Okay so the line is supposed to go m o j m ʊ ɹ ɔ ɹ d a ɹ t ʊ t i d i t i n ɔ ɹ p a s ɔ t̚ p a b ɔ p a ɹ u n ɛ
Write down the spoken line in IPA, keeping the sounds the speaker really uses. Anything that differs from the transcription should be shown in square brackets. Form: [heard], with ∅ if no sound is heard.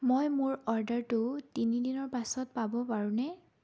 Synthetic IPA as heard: m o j m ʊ ɹ ɔ ɹ d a ɹ t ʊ t i [n] i [d] i n ɔ ɹ p a s ɔ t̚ p a b ɔ p a ɹ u n ɛ